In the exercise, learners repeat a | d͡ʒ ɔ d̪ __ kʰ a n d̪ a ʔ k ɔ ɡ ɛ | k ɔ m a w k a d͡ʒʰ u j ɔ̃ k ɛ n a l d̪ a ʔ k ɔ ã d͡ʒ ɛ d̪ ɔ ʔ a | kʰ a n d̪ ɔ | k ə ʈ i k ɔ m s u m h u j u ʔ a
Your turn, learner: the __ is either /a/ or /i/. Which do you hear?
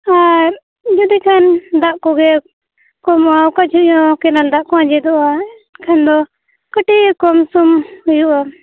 i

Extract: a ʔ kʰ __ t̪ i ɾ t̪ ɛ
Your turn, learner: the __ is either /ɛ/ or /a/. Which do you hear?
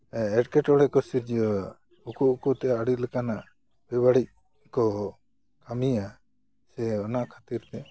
a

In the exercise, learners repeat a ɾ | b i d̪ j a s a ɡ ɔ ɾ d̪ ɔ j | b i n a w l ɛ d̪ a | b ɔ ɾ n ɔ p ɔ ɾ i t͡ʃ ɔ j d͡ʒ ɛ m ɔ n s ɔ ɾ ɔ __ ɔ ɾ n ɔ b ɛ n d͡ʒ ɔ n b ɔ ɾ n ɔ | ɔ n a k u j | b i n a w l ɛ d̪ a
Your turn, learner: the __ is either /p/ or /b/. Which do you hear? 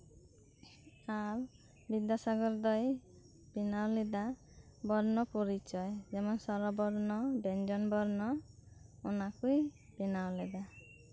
b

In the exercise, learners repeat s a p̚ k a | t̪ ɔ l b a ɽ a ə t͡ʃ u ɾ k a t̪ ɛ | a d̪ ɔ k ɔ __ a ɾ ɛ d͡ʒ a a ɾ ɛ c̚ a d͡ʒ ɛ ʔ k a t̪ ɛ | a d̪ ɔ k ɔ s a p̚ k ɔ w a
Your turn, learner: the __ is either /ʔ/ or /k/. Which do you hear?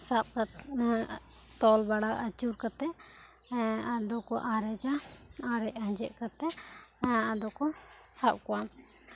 ʔ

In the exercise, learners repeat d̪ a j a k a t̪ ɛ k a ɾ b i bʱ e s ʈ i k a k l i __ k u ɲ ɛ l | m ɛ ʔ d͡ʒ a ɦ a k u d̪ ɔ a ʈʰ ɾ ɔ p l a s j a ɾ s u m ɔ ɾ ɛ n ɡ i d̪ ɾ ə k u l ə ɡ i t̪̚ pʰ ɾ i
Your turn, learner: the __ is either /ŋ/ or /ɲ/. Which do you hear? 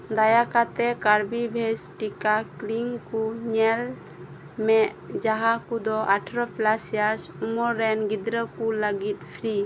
ŋ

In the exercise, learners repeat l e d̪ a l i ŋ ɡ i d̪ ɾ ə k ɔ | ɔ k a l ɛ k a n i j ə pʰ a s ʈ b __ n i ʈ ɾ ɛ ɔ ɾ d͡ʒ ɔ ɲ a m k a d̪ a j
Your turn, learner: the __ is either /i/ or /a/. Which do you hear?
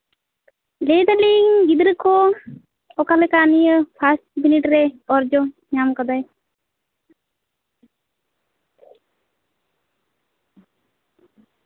i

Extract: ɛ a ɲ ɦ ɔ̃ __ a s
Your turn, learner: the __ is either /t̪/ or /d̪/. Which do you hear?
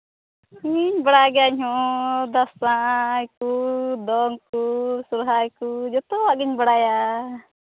d̪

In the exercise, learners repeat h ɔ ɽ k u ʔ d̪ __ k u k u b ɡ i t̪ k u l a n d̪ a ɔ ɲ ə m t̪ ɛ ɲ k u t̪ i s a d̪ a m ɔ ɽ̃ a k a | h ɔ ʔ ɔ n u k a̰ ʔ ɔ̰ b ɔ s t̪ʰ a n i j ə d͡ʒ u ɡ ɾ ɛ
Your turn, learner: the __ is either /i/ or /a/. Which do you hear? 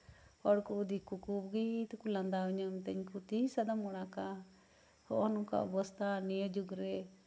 i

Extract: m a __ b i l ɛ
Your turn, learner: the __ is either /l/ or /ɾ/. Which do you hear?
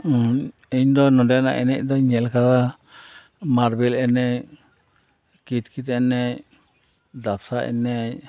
ɾ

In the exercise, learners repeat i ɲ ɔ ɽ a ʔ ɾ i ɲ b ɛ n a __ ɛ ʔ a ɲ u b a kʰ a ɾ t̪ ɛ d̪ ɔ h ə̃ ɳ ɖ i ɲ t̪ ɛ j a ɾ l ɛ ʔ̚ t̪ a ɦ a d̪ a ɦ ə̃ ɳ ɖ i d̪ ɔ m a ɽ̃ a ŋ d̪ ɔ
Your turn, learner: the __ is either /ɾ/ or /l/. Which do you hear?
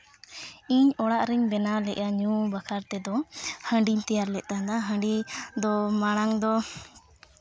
l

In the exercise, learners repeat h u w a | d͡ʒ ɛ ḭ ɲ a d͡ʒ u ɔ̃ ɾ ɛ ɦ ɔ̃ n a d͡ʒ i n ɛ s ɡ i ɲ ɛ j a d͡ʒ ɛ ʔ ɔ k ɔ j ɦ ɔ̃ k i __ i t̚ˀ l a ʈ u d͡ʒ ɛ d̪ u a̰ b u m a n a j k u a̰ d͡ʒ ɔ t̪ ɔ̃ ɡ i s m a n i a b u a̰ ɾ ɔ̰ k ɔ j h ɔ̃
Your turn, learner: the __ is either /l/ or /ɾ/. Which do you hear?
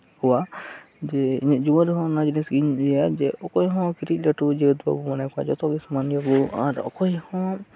ɾ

